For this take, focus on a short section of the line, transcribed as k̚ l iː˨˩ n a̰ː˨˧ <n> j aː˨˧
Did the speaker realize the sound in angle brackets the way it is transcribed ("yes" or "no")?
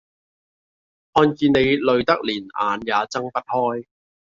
yes